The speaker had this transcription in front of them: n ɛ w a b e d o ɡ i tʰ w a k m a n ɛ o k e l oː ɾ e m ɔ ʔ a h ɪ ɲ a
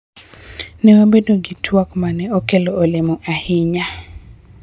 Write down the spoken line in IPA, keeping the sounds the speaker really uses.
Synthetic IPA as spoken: n ɛ w a b e d o ɡ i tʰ w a k m a n ɛ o k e l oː l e m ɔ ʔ a h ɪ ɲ a